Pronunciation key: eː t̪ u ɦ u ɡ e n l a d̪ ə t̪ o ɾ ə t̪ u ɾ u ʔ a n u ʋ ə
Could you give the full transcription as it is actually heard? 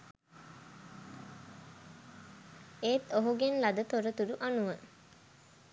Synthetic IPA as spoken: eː t̪ o ɦ u ɡ e n l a d̪ ə t̪ o ɾ ə t̪ u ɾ u ʔ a n u ʋ ə